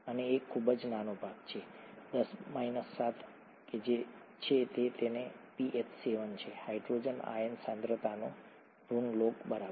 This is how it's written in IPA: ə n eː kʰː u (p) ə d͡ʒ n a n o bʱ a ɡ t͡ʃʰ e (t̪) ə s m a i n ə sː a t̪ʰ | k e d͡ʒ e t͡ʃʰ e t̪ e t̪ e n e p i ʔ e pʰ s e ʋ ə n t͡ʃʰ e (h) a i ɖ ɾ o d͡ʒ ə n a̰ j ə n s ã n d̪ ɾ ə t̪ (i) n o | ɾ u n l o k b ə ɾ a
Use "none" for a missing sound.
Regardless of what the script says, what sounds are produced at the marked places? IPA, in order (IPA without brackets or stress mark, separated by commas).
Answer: b, d̪, h, a